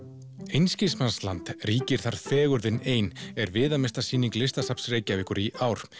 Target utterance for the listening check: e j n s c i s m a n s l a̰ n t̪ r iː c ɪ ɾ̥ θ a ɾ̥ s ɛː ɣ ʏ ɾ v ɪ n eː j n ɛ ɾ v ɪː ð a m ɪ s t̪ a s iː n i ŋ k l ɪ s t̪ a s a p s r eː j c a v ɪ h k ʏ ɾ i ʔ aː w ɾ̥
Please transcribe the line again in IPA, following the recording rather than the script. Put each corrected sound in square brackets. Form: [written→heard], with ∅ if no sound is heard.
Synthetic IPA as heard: e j n s c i s m a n s l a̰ n t̪ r iː c ɪ ɾ̥ θ a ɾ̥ [s→f] ɛː ɣ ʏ ɾ [v→ð] ɪ n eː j n ɛ ɾ v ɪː ð a m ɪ s t̪ a s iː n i ŋ k l ɪ s t̪ a s a p s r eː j c a v ɪ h k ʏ ɾ i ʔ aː w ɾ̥

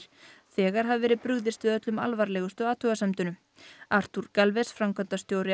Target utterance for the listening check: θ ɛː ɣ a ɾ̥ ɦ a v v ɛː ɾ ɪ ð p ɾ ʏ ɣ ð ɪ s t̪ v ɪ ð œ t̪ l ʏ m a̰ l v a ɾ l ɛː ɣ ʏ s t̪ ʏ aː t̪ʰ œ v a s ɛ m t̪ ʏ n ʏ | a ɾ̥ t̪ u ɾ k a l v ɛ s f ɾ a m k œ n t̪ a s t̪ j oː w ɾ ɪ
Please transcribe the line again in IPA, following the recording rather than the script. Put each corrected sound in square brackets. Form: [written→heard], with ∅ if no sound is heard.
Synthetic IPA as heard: θ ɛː ɣ a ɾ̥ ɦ a v v ɛː ɾ ɪ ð p ɾ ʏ ɣ ð ɪ s t̪ v ɪ ð œ t̪ l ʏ m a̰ l v a ɾ l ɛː ɣ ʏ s t̪ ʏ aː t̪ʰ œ [v→ɣ] a s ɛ m t̪ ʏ n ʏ | a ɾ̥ t̪ u ɾ k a l v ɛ s f ɾ a m k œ n t̪ a s t̪ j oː w ɾ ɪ

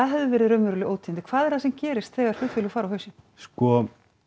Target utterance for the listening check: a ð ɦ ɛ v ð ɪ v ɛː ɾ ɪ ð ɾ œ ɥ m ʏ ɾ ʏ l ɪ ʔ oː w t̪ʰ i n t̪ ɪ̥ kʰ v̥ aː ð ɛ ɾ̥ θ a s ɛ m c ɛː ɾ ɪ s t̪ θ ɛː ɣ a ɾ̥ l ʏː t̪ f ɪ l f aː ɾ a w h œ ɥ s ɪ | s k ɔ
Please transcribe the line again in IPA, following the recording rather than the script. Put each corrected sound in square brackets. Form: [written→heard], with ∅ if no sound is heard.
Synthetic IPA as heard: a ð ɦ ɛ v ð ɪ v ɛː ɾ ɪ ð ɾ œ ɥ m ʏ ɾ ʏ l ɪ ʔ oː w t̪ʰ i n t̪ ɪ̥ kʰ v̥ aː ð ɛ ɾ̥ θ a s ɛ m c ɛː ɾ ɪ s t̪ θ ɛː ɣ a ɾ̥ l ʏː t̪ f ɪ l f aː ɾ a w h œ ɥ s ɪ | s k ɔ

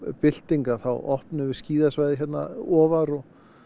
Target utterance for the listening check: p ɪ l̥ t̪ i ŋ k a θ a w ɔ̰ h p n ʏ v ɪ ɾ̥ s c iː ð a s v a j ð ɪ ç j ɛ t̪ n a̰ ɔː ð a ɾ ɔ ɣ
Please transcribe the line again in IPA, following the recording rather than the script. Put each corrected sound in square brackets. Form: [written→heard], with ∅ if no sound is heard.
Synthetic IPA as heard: p ɪ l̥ t̪ i ŋ k a θ a w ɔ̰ h p n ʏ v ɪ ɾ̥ s c iː ð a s v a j ð ɪ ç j ɛ t̪ n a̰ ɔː [ð→v] a ɾ ɔ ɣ

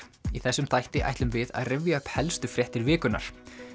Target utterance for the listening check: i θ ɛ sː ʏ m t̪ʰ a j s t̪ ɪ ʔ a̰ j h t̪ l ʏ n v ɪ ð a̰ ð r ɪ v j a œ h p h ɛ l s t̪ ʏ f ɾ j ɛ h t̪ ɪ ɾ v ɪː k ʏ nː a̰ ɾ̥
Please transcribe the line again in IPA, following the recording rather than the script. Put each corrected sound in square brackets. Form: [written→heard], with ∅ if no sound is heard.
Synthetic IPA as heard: i θ ɛ sː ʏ m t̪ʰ a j [s→h] t̪ ɪ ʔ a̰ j h t̪ l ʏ [n→m] v ɪ ð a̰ ð r ɪ v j a œ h p h ɛ l s t̪ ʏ f ɾ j ɛ h t̪ ɪ ɾ v ɪː k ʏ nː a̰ ɾ̥

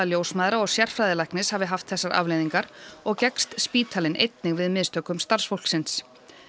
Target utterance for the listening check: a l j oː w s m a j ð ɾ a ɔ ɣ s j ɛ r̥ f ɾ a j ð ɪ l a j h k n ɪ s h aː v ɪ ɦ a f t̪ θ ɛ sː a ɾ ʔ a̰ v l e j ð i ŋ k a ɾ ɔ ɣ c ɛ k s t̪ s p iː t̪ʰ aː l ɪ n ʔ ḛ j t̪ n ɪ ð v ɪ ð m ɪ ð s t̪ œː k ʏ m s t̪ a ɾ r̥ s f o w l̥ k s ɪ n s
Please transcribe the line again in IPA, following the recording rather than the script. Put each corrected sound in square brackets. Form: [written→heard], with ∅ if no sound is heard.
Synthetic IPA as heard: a l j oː w s m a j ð ɾ a ɔ ɣ s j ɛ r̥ f ɾ a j ð ɪ l a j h k n ɪ s h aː v ɪ ɦ a f t̪ θ ɛ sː a ɾ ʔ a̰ v l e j ð i ŋ k a ɾ ɔ ɣ c ɛ k s t̪ s p iː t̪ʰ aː l ɪ n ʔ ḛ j t̪ n ɪ [ð→ɣ] v ɪ ð m ɪ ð s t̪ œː k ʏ m s t̪ a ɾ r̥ s f o w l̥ k s ɪ n s

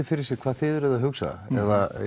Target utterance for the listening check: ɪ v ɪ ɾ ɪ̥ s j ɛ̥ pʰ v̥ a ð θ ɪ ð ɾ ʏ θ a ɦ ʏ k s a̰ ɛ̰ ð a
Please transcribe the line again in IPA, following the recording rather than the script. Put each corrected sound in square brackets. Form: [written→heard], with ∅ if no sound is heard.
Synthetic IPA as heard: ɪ [v→f] ɪ ɾ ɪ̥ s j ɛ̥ [pʰ→kʰ] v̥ a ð θ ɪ ð ɾ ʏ [θ→ð] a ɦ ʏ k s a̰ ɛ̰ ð a

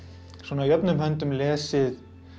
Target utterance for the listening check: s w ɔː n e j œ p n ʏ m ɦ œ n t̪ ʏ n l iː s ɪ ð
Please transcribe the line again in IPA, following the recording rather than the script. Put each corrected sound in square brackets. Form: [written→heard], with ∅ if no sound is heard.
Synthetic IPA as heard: s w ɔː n [e→a] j œ p n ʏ m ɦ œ n t̪ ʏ [n→m] l [iː→ɛː] s ɪ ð

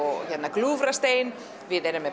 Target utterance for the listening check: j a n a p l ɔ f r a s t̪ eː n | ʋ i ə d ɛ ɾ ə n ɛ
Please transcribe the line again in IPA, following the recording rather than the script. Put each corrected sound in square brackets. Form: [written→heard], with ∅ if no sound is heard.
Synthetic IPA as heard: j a n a [p→k] l [ɔ→u] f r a s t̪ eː n | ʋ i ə d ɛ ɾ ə [n→m] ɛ

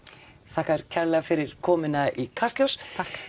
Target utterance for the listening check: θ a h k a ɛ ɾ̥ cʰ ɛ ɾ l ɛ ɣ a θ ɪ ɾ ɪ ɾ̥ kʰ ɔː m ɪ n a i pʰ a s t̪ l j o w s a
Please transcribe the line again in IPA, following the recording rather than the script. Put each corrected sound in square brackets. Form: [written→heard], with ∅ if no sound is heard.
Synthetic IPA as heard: θ a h k a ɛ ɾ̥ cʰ ɛ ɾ l ɛ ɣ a [θ→f] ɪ ɾ ɪ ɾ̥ kʰ ɔː m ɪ n a i [pʰ→kʰ] a s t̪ l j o w s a

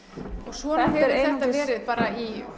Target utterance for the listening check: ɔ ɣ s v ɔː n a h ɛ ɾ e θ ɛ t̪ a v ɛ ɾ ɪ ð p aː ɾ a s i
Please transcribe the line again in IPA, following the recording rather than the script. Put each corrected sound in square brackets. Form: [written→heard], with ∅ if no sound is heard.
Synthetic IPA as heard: ɔ ɣ s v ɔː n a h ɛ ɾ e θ ɛ t̪ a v [ɛ→ɛː] ɾ ɪ ð p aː ɾ a [s→∅] i

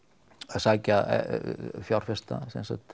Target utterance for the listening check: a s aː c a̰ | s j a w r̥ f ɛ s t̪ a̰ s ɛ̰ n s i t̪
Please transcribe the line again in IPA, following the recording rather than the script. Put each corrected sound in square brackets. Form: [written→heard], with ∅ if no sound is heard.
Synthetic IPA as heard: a s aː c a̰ | [s→f] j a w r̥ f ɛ s t̪ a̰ s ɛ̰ n s [i→a] t̪

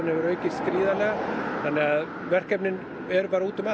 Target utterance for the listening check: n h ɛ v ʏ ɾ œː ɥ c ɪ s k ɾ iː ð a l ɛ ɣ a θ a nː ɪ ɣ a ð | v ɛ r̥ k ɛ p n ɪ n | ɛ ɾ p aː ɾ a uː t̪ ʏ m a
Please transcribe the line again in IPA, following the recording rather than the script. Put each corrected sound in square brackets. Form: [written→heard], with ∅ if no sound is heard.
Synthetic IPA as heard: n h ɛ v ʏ ɾ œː ɥ c ɪ s k ɾ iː ð a l ɛ ɣ a θ a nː ɪ ɣ a ð | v ɛ r̥ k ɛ p n ɪ n | ɛ ɾ p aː ɾ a uː t̪ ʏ m a

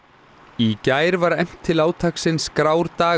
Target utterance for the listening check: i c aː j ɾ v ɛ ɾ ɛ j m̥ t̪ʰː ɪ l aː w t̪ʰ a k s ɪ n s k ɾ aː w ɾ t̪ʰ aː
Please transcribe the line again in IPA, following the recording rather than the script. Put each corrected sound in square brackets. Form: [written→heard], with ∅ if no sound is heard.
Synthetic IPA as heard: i c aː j ɾ v [ɛ→a] ɾ ɛ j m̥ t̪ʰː ɪ l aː w t̪ʰ a k s ɪ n s k ɾ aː w ɾ [t̪ʰ→t̪] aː

